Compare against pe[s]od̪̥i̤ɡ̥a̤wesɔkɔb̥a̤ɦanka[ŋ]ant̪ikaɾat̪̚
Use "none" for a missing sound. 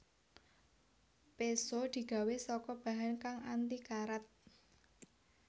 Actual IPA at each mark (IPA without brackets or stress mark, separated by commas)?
s, ŋ